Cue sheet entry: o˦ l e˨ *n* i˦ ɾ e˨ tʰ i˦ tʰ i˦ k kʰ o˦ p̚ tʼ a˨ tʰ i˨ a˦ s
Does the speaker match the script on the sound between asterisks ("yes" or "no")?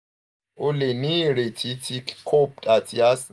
yes